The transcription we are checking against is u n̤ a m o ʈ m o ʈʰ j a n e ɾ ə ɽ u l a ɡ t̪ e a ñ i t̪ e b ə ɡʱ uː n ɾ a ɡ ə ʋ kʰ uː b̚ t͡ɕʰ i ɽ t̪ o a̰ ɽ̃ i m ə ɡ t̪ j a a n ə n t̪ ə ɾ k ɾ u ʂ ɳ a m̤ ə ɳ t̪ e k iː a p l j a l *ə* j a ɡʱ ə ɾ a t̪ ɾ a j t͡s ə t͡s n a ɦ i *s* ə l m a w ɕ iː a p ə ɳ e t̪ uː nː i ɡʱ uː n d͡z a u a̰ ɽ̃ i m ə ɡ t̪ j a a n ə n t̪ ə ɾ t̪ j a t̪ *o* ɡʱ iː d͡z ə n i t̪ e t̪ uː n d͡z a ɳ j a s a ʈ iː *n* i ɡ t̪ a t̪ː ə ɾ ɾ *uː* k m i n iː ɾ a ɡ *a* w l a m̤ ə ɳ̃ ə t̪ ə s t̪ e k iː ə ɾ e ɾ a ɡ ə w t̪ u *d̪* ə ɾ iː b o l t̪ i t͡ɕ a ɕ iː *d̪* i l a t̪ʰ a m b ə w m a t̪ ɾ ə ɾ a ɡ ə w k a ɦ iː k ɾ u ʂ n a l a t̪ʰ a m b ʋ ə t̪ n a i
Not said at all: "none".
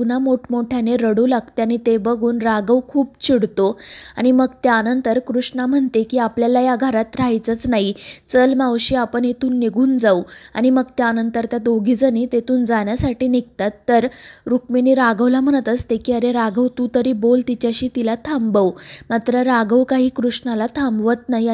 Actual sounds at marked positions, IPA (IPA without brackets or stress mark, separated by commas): a, t͡s, o, n, u, ə, t̪, t̪